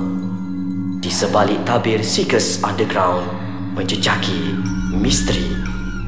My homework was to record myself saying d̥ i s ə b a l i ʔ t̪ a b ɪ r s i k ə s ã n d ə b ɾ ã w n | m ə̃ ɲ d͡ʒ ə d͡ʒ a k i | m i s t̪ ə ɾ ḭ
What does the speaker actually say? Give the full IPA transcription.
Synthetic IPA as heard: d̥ i s ə b a l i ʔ t̪ a b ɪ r s i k ə s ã n d ə ɡ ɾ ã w n | m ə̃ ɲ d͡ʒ ə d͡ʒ a k i | m i s t̪ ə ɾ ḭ